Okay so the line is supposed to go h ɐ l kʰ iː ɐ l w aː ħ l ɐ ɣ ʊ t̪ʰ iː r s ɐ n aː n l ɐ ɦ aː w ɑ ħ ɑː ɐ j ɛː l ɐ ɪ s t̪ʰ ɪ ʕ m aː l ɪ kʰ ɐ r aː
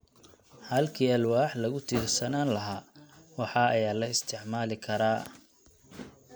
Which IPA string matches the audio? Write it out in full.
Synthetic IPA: h ɐ l kʰ iː ɐ l w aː ħ l ɐ ɣ ʊ t̪ʰ iː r s ɐ n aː n l ɐ ɦ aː w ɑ ħ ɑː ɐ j aː l ɐ ɪ s t̪ʰ ɪ ʕ m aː l ɪ kʰ ɐ ɾ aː